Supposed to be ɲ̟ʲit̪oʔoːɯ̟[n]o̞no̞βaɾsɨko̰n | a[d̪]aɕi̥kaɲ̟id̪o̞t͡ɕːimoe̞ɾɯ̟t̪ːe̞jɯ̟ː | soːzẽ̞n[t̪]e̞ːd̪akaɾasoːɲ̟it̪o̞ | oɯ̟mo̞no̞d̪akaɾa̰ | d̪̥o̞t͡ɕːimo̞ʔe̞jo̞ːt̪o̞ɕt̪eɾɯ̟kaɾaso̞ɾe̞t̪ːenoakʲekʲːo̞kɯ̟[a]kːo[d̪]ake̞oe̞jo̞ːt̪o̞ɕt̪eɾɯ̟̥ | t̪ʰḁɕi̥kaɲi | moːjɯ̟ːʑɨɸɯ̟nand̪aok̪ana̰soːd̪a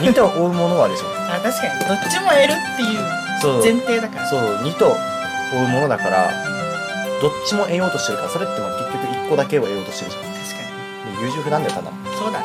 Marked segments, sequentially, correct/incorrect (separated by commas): incorrect, incorrect, correct, incorrect, correct